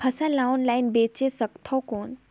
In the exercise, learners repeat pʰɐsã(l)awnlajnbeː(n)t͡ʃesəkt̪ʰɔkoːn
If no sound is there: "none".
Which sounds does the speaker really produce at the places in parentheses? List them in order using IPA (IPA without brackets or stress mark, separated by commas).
l, none